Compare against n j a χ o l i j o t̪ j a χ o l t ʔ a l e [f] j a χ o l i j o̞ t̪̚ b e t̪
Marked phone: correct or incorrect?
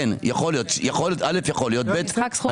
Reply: correct